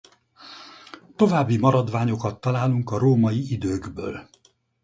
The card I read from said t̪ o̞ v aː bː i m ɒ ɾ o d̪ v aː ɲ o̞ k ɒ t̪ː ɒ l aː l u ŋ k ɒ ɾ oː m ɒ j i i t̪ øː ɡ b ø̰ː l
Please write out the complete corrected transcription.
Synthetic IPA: t̪ o̞ v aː bː i m ɒ ɾ ɒ d̪ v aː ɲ o̞ k ɒ t̪ː ɒ l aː l u ŋ k ɒ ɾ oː m ɒ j i i d̪ øː ɡ b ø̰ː l